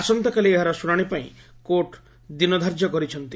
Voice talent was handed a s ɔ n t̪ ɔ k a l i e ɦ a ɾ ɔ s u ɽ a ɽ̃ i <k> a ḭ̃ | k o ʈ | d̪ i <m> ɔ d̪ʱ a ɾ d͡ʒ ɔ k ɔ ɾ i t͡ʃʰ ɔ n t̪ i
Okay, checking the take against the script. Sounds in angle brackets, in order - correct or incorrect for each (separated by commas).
incorrect, incorrect